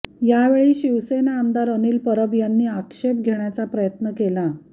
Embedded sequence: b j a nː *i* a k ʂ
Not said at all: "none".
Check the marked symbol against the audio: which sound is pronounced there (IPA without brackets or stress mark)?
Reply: iː